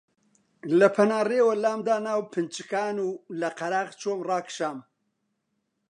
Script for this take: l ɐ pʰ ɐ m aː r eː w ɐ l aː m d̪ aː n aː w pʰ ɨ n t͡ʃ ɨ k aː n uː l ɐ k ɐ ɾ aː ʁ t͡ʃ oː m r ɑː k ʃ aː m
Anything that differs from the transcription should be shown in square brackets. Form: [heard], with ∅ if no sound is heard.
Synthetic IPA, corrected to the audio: l ɐ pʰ ɐ [n] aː r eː w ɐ l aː m d̪ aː n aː w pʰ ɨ n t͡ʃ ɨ k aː n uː l ɐ [q] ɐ ɾ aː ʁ t͡ʃ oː m r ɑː k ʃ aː m